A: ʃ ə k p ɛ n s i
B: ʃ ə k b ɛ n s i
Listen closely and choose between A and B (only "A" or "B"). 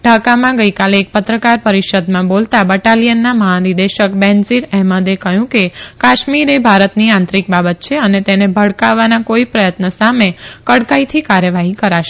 B